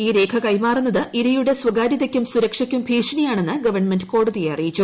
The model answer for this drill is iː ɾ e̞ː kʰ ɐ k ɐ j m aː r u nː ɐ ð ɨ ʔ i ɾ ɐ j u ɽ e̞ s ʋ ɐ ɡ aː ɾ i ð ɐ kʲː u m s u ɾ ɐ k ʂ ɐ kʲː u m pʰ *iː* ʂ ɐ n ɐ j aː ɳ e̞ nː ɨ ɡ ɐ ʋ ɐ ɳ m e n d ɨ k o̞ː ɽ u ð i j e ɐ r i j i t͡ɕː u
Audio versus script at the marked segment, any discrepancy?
no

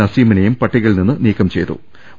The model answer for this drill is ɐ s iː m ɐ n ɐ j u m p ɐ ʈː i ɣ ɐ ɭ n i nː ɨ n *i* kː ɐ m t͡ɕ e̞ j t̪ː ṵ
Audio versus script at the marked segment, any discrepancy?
yes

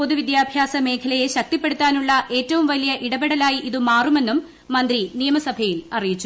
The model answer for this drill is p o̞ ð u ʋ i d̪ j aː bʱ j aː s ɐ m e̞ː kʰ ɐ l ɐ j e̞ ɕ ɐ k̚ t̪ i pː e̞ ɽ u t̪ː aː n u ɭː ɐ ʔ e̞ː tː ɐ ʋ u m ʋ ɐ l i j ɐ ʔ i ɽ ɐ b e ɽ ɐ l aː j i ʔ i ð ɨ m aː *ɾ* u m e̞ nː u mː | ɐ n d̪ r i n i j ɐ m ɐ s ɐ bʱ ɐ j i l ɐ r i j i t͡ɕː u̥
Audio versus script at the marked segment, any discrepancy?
yes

